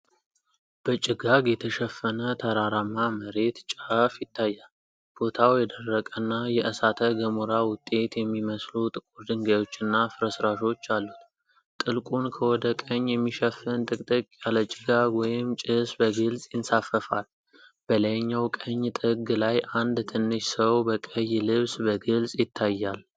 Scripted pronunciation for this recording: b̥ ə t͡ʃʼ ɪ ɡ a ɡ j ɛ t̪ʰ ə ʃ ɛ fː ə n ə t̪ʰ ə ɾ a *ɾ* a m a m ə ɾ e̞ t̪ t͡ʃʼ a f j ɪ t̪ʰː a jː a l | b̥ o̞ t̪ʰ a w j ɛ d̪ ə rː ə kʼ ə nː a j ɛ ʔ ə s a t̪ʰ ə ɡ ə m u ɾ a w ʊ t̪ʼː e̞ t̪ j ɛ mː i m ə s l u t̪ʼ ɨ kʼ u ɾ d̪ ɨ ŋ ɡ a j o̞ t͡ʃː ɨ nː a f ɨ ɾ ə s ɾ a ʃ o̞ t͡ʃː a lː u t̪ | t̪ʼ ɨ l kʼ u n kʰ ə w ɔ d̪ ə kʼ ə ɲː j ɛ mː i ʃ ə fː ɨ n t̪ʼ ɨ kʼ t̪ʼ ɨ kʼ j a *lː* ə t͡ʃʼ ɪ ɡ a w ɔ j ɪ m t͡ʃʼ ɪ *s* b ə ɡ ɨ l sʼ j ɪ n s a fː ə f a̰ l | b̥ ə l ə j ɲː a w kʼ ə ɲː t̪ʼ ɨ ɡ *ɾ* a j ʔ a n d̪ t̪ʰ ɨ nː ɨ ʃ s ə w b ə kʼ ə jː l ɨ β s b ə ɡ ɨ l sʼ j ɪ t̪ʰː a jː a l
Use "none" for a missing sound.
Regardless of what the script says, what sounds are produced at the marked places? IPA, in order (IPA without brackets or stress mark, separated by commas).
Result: ɾ, l, s, l